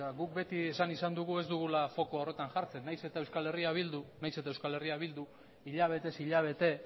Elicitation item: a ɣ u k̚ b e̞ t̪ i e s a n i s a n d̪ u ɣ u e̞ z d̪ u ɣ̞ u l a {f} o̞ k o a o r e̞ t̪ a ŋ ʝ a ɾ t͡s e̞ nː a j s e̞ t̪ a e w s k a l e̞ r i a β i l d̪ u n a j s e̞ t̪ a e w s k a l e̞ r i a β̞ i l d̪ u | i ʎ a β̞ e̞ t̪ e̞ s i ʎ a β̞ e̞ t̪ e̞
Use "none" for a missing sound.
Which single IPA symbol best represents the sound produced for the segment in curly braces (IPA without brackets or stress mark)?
f